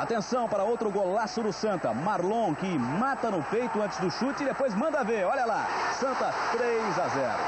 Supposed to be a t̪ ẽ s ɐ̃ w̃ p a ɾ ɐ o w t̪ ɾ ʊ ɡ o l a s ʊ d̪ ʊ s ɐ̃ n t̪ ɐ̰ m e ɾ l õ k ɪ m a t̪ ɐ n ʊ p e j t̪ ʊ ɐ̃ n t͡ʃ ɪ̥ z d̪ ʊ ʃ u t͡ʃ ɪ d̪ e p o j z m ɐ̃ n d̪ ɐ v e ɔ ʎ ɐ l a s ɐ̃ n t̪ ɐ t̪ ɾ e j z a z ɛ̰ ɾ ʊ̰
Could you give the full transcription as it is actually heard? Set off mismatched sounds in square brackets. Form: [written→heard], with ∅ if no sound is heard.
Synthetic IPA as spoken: a t̪ ẽ s ɐ̃ w̃ p a ɾ ɐ o w t̪ ɾ ʊ ɡ o l a s ʊ d̪ ʊ s ɐ̃ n t̪ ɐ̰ m [e→a] ɾ l õ k ɪ m a t̪ ɐ n ʊ p e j t̪ ʊ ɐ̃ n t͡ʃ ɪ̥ z d̪ ʊ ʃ u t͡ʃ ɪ d̪ e p o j z m ɐ̃ n d̪ ɐ v e ɔ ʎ ɐ l a s ɐ̃ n t̪ ɐ t̪ ɾ e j z a z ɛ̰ ɾ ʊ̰